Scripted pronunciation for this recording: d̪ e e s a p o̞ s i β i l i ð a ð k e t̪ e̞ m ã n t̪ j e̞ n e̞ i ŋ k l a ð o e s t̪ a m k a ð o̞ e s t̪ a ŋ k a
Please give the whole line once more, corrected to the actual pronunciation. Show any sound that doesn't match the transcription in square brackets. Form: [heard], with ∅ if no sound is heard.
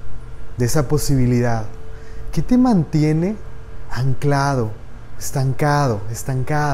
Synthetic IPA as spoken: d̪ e e s a p o̞ s i β i l i ð a ð k e t̪ e̞ m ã n t̪ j e̞ n e̞ [a] ŋ k l a ð o e s t̪ a [ŋ] k a ð o̞ e s t̪ a ŋ k a